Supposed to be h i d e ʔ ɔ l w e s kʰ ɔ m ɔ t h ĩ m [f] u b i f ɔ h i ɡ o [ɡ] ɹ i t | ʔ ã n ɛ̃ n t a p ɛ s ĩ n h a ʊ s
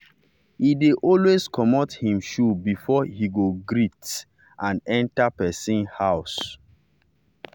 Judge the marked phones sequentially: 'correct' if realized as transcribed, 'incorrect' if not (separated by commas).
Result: incorrect, correct